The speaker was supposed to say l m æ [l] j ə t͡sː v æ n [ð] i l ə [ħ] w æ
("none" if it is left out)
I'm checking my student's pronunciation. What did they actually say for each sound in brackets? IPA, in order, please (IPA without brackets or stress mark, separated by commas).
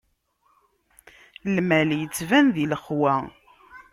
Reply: l, ð, χ